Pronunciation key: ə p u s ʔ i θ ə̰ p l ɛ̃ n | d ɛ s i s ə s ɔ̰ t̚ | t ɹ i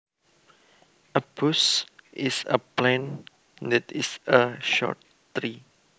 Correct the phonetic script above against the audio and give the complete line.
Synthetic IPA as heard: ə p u s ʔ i s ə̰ p l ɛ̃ n | d ɛ t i s ə ʃ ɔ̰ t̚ | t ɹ i